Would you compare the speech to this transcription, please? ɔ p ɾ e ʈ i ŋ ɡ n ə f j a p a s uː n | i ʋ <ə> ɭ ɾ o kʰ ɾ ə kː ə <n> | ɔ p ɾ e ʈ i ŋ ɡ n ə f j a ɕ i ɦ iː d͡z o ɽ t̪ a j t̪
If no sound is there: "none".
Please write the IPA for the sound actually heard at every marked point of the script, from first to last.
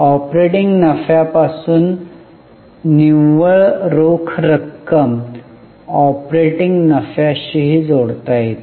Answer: ə, m

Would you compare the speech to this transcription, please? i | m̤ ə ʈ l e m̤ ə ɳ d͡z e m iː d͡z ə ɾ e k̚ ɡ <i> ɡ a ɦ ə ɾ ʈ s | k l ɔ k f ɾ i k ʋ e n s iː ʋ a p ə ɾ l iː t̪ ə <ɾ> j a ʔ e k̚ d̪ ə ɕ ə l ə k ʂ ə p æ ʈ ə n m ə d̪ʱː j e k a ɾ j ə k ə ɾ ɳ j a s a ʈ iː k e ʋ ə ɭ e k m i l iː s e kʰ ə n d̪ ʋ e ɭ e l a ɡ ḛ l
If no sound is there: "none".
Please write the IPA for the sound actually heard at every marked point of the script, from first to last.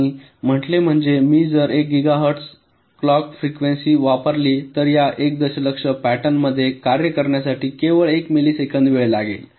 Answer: i, ɾ

